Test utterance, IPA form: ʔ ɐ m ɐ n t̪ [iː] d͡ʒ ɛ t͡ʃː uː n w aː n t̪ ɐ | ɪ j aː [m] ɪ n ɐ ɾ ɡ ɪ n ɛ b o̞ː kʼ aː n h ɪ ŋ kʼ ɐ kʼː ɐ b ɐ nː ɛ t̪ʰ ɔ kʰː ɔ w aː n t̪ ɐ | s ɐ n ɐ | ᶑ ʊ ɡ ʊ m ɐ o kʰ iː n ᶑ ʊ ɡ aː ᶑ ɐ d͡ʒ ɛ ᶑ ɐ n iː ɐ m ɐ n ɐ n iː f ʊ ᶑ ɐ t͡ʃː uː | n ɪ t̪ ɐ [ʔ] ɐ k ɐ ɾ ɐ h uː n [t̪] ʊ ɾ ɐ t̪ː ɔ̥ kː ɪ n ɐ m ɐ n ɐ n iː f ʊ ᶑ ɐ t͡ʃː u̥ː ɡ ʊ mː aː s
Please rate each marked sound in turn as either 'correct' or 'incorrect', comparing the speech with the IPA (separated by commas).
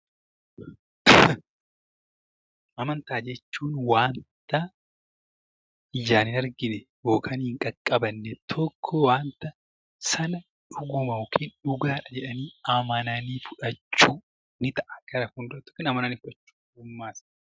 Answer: incorrect, incorrect, correct, incorrect